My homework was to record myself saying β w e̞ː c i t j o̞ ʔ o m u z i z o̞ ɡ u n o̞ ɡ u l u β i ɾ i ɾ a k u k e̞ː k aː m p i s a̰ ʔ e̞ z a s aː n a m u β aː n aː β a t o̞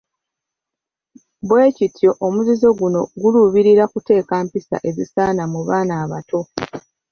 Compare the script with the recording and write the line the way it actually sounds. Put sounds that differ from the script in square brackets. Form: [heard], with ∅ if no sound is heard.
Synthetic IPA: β w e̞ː c i t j o̞ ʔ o m u z i z o̞ ɡ u n o̞ ɡ u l u β i ɾ i ɾ a k u [t] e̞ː k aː m p i s a̰ ʔ e̞ z [i] s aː n a m u β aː n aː β a t o̞